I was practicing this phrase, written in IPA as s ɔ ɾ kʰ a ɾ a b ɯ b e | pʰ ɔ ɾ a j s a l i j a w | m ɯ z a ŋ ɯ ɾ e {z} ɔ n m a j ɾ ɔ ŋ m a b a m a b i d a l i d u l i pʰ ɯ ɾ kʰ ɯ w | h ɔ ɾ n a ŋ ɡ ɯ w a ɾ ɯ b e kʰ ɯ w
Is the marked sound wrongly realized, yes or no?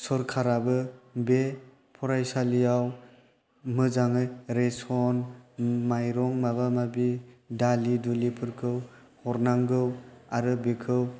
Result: yes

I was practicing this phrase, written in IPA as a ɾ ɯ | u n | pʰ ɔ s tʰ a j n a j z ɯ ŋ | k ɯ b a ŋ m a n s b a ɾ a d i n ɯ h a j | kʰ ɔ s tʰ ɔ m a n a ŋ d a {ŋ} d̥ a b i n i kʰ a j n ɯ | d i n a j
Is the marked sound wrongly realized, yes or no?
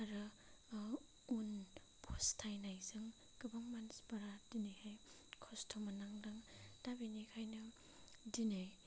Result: no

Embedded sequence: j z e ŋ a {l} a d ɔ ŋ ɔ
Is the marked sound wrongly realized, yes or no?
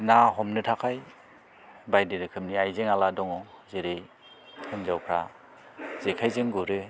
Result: no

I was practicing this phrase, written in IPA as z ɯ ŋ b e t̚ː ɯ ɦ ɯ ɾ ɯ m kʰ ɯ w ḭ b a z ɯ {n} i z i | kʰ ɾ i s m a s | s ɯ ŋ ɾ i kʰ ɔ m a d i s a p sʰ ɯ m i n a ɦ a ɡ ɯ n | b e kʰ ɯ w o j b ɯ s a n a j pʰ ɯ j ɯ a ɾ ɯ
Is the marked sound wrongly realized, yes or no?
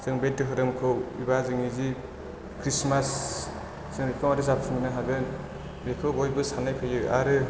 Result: yes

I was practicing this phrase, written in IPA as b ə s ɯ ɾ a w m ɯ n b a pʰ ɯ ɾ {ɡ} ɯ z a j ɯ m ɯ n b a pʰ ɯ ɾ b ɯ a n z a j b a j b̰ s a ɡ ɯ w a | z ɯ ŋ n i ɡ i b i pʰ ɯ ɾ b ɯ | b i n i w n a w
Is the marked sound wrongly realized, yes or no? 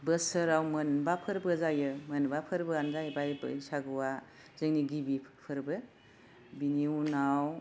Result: yes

